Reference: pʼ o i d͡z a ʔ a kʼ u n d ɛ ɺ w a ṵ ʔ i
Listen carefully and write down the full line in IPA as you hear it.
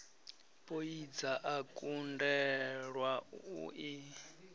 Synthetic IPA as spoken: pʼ o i d͡z a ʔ a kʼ u n d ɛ ɺ w a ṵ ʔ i

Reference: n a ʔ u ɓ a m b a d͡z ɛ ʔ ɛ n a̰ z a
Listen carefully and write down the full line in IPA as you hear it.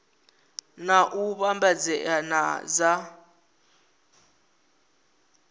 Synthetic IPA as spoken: n a ʔ u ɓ a m b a d͡z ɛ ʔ a n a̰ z a

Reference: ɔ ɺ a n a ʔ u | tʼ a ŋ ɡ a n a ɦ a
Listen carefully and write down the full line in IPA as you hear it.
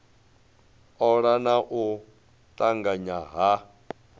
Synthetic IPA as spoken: ɔ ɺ a n a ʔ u | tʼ a ŋ ɡ a ɲ a ɦ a

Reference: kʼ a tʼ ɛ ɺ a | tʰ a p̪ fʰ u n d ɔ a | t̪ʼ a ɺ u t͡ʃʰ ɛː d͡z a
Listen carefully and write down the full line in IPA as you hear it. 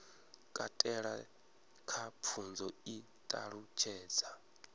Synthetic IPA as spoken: kʼ a tʼ ɛ ɺ a | kʰ a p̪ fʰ u n d͡z ɔ i | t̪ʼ a ɺ u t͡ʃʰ ɛː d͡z a

